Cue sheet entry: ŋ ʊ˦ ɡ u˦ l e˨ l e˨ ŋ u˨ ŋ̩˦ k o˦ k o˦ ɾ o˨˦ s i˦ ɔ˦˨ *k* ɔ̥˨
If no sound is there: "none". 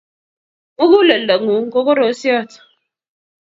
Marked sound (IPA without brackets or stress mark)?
t